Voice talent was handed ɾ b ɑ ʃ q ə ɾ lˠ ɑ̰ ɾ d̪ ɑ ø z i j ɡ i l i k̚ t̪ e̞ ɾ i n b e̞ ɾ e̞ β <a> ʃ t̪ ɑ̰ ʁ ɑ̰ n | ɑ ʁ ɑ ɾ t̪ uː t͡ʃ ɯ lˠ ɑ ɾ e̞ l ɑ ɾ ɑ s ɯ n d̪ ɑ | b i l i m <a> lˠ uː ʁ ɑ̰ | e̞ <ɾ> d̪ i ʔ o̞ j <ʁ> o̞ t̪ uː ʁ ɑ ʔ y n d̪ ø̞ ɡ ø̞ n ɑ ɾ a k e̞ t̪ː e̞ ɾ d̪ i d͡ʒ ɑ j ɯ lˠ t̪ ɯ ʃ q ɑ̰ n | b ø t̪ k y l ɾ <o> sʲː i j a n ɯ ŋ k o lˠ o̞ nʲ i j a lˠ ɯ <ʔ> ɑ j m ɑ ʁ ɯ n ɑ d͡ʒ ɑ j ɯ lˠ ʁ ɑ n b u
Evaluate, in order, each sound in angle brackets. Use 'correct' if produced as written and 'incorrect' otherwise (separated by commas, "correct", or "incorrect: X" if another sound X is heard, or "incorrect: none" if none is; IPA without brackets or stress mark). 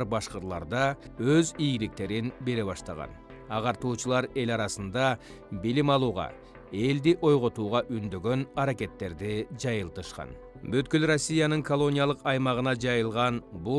incorrect: ɑ, incorrect: ɑ, incorrect: l, correct, correct, incorrect: q